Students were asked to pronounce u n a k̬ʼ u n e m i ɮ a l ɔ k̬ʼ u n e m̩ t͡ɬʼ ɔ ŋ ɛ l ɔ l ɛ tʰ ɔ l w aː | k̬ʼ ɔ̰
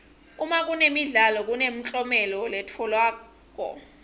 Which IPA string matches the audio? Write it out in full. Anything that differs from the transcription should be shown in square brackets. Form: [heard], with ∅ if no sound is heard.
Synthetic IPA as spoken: u [m] a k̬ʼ u n e m i ɮ a l ɔ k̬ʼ u n e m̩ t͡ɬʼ ɔ [m] ɛ l ɔ l ɛ tʰ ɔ l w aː | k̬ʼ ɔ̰